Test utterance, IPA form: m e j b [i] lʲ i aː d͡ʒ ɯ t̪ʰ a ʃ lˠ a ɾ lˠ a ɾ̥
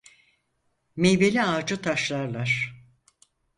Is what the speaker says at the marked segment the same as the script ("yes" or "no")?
no